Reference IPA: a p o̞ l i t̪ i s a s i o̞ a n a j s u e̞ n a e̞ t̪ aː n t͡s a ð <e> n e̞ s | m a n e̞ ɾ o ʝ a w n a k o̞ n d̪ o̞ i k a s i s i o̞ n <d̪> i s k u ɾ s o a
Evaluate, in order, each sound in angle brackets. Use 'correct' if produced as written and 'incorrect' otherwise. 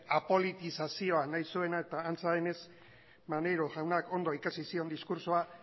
correct, correct

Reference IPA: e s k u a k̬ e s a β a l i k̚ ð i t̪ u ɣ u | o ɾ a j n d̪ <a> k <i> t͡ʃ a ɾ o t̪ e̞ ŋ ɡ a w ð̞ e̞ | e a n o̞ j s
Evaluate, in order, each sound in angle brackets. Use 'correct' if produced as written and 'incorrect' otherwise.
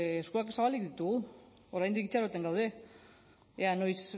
incorrect: i, correct

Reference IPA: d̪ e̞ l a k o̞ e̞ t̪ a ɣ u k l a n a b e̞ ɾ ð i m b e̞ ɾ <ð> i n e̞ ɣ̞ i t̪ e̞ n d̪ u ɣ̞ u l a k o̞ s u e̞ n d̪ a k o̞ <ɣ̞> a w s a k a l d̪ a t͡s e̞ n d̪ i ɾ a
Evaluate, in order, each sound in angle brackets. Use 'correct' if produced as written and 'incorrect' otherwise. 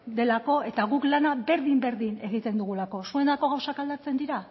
correct, correct

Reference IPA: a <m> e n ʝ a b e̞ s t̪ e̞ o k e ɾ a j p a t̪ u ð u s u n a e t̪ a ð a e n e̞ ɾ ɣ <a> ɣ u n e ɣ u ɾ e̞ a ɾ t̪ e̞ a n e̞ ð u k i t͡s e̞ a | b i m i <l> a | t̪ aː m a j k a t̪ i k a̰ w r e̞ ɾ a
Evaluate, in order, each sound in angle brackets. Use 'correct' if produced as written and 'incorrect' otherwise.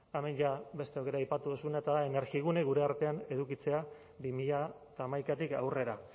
correct, incorrect: i, incorrect: ʎ

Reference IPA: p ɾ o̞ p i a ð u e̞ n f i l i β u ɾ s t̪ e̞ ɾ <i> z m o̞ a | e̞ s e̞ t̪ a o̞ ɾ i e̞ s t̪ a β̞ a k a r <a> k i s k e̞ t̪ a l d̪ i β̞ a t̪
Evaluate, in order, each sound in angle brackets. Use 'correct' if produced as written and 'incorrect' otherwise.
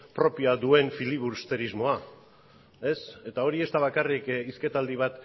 correct, incorrect: i

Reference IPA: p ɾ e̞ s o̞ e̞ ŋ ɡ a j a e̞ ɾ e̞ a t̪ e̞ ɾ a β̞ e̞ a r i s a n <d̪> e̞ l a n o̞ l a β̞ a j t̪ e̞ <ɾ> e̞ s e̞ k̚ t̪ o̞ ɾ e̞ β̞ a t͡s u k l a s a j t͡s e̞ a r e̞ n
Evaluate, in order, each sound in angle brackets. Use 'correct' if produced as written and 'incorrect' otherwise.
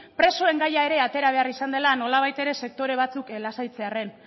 correct, correct

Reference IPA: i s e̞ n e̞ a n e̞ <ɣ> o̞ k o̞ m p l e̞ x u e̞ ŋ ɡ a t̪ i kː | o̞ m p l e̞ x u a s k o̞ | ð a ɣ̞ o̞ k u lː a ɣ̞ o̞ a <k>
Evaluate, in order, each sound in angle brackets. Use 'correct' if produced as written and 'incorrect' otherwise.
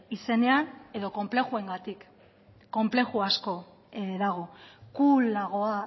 incorrect: ð, incorrect: none

